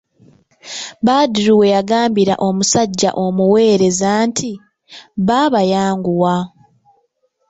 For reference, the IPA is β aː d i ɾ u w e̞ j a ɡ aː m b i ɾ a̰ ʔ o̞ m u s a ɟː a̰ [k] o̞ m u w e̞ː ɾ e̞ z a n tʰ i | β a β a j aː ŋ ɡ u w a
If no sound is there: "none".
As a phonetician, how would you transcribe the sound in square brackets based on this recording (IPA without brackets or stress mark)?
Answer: ʔ